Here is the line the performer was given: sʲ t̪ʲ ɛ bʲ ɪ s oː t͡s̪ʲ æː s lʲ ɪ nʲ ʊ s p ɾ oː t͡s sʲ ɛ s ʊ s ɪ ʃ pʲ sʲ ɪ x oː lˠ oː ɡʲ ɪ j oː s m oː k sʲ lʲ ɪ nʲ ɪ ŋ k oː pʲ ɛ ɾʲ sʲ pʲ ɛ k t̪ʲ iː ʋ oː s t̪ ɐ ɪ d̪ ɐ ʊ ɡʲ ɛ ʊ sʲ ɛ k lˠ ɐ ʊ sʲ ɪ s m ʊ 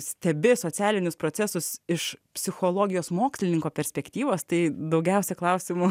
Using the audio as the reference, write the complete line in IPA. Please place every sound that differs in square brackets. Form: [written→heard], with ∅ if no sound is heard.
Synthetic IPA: sʲ t̪ʲ ɛ bʲ ɪ s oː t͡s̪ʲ æː [s→∅] lʲ ɪ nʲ ʊ s p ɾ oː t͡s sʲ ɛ s ʊ s ɪ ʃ pʲ sʲ ɪ x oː lˠ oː ɡʲ ɪ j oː s m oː k sʲ lʲ ɪ nʲ ɪ ŋ k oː pʲ ɛ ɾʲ sʲ pʲ ɛ k t̪ʲ iː ʋ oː s t̪ ɐ ɪ d̪ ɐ ʊ ɡʲ ɛ ʊ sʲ ɛ k lˠ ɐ ʊ sʲ ɪ [s→∅] m ʊ